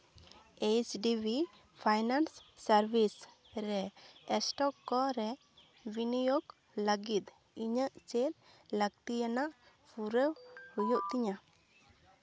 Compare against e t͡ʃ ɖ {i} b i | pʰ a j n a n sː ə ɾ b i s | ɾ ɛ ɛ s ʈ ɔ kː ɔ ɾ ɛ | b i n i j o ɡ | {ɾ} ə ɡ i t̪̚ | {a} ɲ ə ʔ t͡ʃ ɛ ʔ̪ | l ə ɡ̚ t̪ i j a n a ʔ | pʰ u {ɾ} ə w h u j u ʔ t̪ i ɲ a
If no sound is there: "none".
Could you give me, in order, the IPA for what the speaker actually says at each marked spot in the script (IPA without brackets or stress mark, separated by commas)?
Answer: i, l, i, ɾ